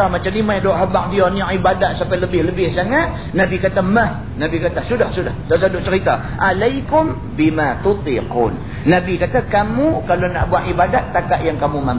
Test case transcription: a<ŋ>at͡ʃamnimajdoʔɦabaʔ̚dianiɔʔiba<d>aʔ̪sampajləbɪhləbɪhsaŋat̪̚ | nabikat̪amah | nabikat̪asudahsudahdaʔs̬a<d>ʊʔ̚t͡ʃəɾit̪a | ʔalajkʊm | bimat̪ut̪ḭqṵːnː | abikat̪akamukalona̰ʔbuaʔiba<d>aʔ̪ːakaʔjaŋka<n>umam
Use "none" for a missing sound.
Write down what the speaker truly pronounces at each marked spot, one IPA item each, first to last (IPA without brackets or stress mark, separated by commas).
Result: m, d, d, d, m